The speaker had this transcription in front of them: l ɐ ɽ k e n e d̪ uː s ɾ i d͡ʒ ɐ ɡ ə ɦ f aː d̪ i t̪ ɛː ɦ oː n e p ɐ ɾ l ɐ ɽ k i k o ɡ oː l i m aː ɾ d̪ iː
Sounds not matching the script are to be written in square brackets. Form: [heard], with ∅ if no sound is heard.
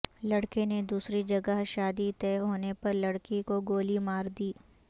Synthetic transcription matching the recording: l ɐ ɽ k e n e d̪ uː s ɾ i d͡ʒ ɐ ɡ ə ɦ [ʃ] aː d̪ i t̪ ɛː ɦ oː n e p ɐ ɾ l ɐ ɽ k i k o ɡ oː l i m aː ɾ d̪ iː